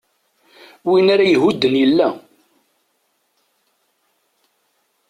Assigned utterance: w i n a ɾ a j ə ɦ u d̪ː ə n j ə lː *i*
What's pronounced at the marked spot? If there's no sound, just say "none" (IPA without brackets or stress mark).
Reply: æ